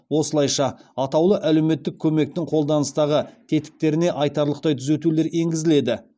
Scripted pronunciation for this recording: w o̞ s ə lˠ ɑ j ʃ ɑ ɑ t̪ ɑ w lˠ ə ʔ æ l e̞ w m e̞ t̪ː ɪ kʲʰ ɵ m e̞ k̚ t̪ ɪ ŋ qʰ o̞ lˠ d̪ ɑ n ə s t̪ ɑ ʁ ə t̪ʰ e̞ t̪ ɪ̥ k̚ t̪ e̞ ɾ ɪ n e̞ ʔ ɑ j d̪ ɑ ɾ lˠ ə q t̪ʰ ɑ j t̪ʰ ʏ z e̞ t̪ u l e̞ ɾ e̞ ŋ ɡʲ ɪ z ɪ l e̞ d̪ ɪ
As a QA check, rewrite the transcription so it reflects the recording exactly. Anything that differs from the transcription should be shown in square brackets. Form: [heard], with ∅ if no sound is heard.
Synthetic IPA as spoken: w o̞ s ə lˠ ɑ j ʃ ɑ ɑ t̪ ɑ w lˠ ə ʔ æ l e̞ w m e̞ t̪ː ɪ kʲʰ ɵ m e̞ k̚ t̪ ɪ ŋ qʰ o̞ lˠ d̪ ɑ n ə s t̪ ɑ ʁ ə t̪ʰ e̞ t̪ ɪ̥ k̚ t̪ e̞ ɾ ɪ n e̞ ʔ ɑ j [t̪] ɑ ɾ lˠ ə q [t̪] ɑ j t̪ʰ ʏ z e̞ t̪ u l e̞ ɾ e̞ ŋ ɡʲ ɪ z ɪ l e̞ d̪ ɪ